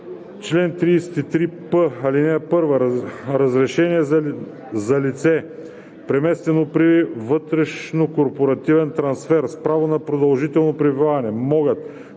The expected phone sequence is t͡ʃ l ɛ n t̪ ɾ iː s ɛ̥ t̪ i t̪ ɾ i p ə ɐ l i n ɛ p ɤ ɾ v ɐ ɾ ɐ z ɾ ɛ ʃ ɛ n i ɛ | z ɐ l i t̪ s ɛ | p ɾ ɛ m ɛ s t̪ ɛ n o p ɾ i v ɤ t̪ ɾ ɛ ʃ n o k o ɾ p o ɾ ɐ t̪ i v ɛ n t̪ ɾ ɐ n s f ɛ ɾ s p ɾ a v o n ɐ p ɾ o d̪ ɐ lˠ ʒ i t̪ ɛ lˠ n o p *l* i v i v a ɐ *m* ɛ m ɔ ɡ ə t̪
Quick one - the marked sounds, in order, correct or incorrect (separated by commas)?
incorrect, incorrect